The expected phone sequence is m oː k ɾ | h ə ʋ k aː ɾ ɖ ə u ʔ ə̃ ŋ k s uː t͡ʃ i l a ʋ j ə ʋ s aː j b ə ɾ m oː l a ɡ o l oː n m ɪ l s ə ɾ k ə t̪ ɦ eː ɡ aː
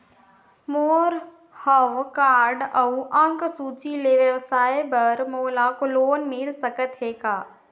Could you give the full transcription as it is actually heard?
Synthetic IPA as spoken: m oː ɾ | h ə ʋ k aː ɾ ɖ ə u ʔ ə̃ ŋ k s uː t͡ʃ i l e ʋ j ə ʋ s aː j b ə ɾ m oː l a k o l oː n m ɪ l s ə k ə t̪ ɦ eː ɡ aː